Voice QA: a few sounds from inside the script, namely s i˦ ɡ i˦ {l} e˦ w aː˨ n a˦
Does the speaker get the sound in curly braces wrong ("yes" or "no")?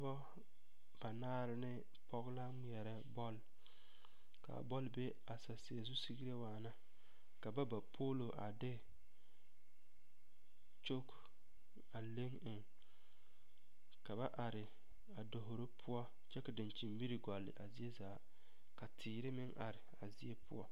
yes